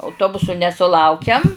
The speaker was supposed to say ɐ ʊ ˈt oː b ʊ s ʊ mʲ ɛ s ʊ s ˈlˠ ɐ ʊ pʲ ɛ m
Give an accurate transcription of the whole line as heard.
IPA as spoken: ɐ ʊ ˈt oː b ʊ s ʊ nʲ ɛ s ʊ ˈlˠ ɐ ʊ kʲ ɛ m